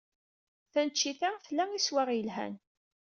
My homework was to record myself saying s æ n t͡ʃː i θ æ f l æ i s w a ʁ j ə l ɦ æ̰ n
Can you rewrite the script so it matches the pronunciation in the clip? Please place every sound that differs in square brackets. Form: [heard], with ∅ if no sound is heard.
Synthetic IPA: [θ] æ n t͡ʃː i θ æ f l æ i s w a ʁ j ə l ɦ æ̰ n